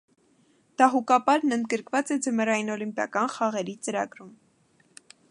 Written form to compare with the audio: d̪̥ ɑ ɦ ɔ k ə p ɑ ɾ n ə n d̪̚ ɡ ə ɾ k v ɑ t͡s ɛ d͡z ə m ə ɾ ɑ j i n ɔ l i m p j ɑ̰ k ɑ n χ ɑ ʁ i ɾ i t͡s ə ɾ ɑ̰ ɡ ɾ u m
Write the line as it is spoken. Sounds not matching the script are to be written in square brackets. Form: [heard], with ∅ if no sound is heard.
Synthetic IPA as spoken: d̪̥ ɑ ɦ [u] k [ɑ] p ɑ ɾ n ə n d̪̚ ɡ ə ɾ k v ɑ t͡s ɛ d͡z ə m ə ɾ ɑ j i n ɔ l i m p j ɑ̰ k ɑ n χ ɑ ʁ [ɛ] ɾ i t͡s ə ɾ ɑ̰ ɡ ɾ u m